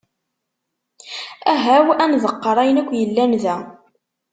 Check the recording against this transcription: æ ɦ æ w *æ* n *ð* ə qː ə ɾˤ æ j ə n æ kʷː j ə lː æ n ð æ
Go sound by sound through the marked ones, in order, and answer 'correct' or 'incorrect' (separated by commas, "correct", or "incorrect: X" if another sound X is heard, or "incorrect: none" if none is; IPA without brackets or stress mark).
correct, correct